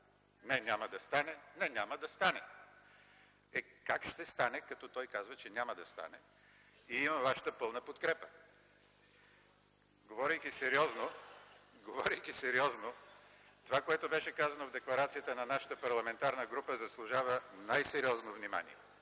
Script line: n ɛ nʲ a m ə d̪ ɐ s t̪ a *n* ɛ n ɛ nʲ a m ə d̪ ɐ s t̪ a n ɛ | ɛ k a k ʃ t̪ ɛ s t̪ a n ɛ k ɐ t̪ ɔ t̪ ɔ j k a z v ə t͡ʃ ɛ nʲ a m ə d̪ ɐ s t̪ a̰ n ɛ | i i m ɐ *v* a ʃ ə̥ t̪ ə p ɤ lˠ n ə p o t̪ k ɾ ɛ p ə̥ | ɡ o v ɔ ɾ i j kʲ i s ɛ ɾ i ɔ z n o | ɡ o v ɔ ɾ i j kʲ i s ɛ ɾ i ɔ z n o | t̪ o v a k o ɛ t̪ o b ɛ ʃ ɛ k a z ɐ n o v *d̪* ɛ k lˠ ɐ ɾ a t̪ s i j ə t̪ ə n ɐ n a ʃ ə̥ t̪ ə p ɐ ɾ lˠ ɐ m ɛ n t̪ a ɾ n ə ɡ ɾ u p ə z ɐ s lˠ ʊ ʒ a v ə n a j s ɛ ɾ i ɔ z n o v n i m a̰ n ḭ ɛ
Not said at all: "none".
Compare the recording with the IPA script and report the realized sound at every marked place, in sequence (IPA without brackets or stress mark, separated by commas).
n, v, d̪